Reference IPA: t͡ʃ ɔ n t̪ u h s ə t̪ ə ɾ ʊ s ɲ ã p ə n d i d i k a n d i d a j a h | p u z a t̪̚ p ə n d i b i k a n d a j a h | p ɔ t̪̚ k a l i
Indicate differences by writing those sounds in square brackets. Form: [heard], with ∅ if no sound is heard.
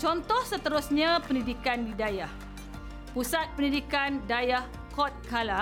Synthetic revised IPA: t͡ʃ ɔ n t̪ [ɔ] h s ə t̪ ə ɾ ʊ s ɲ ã p ə n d i d i k a n d i d a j a h | p u [s] a t̪̚ p ə n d i [d] i k a n d a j a h | [k] ɔ t̪̚ k a l [a]